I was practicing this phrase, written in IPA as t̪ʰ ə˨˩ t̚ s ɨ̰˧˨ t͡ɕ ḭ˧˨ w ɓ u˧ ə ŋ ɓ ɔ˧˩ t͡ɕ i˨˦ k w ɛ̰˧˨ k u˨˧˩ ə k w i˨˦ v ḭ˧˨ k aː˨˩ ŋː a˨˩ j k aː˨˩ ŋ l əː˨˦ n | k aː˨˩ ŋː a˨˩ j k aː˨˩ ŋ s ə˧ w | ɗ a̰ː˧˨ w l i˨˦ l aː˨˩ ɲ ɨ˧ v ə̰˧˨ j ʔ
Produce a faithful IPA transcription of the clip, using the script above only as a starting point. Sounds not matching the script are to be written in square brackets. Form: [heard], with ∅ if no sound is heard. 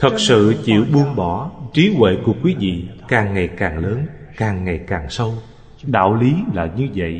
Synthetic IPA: t̪ʰ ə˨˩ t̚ s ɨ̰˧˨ t͡ɕ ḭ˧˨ w ɓ u˧ ə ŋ ɓ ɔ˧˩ t͡ɕ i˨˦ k w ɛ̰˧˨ k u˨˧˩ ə k w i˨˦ v ḭ˧˨ k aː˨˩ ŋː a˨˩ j k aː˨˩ ŋ l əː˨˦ n | k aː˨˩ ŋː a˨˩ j k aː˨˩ ŋ s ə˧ w | ɗ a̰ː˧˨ w l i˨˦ l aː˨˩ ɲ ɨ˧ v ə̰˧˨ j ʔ